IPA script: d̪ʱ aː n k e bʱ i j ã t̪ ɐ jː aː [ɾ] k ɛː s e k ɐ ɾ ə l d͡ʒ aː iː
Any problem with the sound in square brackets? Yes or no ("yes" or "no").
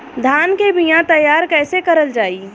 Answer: no